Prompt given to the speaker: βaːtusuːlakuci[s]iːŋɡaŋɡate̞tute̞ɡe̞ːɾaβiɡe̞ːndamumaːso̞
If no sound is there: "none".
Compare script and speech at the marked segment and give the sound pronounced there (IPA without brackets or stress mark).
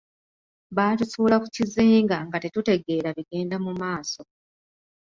z